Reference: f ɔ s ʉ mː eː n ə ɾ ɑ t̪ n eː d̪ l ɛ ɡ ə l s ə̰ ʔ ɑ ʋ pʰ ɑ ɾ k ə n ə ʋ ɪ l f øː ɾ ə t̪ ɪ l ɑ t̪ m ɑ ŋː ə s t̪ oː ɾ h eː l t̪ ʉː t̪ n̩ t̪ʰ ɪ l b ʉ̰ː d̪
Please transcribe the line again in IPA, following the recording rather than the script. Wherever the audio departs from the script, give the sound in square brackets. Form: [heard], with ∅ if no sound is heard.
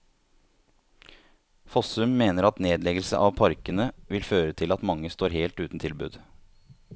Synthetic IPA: f ɔ s ʉ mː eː n ə ɾ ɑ t̪ n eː d̪ l ɛ ɡ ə l s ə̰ ʔ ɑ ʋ pʰ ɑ ɾ k ə n ə ʋ ɪ l f øː ɾ ə [t̪ʰ] ɪ l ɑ t̪ m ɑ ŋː ə s t̪ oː ɾ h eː l t̪ ʉː t̪ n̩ t̪ʰ ɪ l b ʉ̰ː d̪